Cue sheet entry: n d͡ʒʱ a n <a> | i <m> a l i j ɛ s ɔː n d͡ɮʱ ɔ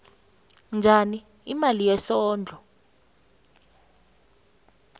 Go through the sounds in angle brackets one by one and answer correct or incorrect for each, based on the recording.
incorrect: i, correct

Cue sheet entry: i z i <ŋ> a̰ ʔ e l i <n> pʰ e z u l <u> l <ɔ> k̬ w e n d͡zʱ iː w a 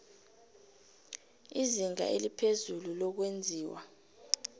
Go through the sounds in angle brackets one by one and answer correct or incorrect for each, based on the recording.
correct, incorrect: none, correct, correct

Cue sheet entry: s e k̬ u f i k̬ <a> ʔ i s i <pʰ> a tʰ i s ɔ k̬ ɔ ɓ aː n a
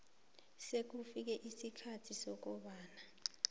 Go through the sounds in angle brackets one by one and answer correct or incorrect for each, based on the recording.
incorrect: ɛ, incorrect: kʰ

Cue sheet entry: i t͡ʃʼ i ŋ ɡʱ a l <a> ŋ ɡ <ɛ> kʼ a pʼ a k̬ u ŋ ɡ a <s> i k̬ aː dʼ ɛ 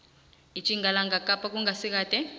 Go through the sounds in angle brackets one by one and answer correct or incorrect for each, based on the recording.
correct, incorrect: a, correct

